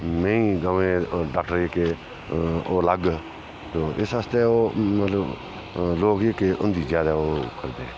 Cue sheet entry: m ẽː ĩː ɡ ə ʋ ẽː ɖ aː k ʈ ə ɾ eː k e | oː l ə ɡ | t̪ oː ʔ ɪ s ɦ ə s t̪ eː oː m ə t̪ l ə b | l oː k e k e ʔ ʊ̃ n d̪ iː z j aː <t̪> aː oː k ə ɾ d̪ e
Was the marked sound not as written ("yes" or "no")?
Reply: yes